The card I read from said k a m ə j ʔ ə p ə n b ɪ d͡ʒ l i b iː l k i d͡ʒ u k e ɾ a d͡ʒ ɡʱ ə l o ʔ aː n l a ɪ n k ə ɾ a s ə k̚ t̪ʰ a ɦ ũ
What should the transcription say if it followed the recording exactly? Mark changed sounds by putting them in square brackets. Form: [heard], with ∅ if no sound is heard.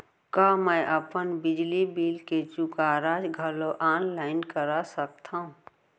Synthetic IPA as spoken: k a m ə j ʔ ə p ə n b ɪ d͡ʒ l i b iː l k [e] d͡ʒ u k [a] ɾ a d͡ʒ ɡʱ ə l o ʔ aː n l a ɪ n k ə ɾ a s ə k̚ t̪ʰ a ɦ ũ